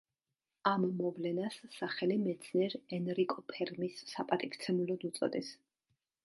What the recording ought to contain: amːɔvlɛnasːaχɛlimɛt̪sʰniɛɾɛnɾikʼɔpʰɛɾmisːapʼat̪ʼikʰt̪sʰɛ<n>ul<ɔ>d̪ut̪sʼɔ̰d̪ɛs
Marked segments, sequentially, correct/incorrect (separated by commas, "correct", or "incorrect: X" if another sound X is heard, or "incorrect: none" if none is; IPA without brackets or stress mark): incorrect: m, correct